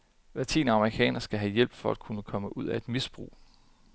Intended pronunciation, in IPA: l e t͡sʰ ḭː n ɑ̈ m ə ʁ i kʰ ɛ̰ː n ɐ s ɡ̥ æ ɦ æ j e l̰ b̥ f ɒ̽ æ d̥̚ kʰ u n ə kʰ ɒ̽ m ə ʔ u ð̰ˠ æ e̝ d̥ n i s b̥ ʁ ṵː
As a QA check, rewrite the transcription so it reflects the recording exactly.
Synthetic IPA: l æ t͡sʰ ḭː n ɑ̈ m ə ʁ i kʰ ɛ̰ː n ɐ s ɡ̥ æ ɦ æ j e l̰ b̥ f ɒ̽ æ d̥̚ kʰ u n ə kʰ ɒ̽ m ə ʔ u ð̰ˠ æ e̝ d̥ m i s b̥ ʁ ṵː